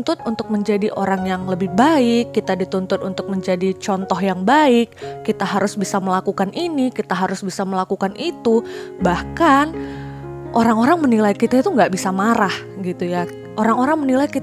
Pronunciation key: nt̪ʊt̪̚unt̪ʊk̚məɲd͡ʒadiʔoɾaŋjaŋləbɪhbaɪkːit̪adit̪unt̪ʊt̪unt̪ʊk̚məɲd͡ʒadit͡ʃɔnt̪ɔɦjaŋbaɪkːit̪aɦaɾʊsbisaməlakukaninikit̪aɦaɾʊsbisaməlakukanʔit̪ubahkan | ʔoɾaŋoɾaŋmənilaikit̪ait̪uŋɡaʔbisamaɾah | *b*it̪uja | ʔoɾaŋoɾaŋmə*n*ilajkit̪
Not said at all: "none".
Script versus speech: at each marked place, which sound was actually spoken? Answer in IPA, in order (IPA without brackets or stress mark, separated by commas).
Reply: ɡ, n